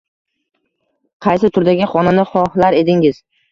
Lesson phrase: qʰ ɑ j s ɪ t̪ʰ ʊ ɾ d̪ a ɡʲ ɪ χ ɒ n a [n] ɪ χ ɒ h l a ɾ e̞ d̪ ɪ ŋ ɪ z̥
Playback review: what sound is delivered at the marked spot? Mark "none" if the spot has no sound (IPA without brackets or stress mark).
n